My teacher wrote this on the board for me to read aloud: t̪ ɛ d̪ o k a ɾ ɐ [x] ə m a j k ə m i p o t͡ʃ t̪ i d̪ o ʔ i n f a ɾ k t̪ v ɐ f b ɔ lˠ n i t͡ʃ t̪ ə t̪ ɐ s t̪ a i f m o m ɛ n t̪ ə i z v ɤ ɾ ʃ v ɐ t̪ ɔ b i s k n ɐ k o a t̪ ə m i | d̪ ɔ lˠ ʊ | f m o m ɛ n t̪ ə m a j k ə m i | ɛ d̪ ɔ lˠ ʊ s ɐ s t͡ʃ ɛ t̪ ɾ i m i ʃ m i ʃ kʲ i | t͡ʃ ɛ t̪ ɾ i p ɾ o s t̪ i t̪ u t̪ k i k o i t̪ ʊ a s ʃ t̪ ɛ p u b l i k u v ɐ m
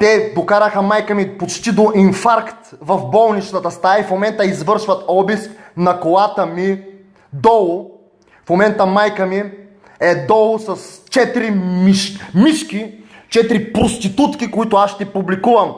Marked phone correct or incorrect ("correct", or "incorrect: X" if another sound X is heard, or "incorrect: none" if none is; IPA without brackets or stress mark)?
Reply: correct